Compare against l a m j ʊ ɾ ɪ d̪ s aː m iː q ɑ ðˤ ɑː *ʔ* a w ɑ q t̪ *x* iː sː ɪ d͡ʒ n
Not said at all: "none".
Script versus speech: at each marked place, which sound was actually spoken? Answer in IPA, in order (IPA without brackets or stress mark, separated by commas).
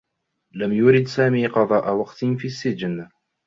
ʔ, f